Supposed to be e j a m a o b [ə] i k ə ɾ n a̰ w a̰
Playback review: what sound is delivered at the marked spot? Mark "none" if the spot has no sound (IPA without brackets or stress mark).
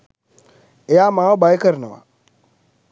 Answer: a